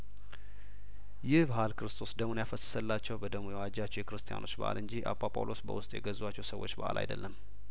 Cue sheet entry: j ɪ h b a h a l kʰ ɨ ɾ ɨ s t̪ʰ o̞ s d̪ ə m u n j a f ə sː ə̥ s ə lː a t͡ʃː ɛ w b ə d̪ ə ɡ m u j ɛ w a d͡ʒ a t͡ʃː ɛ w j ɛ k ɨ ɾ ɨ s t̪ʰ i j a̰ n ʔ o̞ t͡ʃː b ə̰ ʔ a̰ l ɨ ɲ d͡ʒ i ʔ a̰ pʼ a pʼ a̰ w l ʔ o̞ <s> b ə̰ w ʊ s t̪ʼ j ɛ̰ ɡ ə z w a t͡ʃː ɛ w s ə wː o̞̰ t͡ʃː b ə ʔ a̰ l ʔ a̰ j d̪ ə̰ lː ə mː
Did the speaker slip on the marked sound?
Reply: no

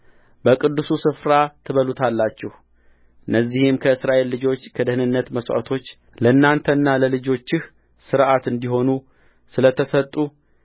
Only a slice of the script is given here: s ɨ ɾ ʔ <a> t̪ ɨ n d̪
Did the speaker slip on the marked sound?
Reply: no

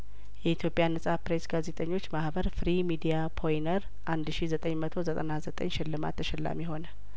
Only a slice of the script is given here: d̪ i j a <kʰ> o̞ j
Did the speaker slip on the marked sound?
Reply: yes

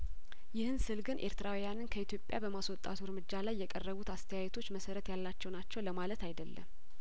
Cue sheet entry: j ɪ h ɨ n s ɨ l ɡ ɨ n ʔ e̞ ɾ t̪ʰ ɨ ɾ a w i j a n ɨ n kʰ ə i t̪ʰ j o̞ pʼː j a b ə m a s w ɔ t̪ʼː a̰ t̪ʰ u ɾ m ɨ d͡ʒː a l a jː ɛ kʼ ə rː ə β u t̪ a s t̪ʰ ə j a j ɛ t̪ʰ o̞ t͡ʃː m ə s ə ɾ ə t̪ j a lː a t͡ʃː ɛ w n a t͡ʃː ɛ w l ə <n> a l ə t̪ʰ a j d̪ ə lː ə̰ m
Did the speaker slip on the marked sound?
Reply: yes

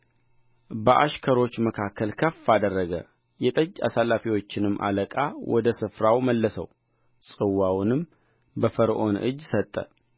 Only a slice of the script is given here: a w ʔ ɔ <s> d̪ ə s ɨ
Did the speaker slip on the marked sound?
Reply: yes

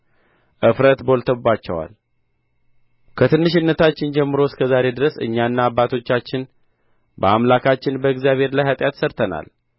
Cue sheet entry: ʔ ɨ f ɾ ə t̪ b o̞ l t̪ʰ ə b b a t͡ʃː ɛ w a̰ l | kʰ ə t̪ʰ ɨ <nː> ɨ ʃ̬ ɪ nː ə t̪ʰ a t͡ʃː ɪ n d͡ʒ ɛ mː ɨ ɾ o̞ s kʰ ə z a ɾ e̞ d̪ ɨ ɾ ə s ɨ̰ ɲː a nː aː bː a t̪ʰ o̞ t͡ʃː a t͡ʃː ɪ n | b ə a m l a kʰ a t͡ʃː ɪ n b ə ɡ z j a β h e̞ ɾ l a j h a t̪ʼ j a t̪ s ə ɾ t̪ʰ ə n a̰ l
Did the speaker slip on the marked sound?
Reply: no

